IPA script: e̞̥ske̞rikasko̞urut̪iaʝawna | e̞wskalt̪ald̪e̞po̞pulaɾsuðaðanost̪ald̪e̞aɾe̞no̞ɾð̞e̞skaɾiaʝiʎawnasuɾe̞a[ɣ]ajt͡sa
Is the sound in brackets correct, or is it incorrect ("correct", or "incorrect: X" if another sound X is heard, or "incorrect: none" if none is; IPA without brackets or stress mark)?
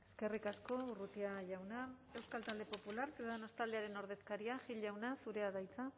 incorrect: ð